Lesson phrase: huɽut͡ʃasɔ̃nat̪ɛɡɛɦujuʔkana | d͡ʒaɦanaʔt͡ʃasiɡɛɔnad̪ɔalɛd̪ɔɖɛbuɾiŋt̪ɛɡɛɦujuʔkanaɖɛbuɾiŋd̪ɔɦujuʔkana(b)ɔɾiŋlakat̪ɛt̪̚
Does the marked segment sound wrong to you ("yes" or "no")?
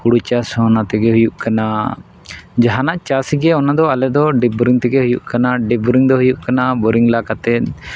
no